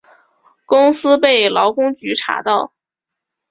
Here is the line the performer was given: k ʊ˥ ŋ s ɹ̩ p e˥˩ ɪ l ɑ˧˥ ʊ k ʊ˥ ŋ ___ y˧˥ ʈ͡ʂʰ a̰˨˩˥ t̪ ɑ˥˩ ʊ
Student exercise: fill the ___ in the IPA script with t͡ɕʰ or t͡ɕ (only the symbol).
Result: t͡ɕ